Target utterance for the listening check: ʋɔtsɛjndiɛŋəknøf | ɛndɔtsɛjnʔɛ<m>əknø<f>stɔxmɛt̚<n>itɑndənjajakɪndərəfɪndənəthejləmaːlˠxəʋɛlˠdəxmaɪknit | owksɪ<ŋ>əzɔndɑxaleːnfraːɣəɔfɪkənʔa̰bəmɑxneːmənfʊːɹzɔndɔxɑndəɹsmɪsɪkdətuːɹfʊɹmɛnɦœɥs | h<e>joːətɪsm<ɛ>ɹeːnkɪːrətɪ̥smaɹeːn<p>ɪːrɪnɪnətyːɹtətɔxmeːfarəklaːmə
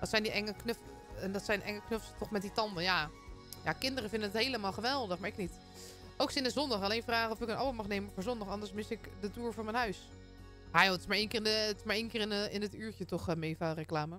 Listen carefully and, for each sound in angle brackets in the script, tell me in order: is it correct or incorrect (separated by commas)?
incorrect, correct, incorrect, incorrect, incorrect, incorrect, incorrect